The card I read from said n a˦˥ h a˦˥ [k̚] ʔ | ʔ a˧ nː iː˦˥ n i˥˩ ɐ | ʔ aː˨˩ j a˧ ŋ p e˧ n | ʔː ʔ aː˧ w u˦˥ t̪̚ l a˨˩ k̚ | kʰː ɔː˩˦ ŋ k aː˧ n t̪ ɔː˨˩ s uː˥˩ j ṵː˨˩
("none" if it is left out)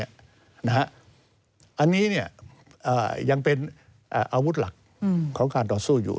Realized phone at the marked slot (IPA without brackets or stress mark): none